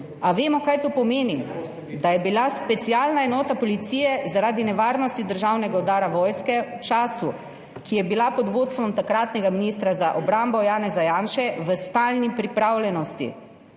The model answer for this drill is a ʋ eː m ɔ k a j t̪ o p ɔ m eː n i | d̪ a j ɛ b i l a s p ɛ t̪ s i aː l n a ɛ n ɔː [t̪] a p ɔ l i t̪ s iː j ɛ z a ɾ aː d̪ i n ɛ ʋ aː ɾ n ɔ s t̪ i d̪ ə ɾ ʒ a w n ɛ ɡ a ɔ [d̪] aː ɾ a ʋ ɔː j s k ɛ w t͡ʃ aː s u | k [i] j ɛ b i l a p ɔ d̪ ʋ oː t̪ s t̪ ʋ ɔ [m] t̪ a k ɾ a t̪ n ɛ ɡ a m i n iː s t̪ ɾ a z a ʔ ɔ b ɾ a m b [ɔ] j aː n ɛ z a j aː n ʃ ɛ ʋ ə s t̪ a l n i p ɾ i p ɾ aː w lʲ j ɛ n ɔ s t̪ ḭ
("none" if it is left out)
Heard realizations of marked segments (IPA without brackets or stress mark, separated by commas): t̪, d̪, i, m, ɔ